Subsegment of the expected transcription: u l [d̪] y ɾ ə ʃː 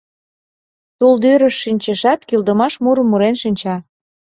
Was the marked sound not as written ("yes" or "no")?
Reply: no